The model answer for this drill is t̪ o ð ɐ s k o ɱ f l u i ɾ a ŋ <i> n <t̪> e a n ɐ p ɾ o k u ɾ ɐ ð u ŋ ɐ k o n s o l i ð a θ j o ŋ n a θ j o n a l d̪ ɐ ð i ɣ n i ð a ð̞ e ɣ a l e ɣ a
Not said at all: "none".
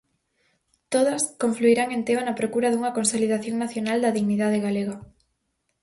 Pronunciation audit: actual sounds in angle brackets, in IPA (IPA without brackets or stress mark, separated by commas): e, t̪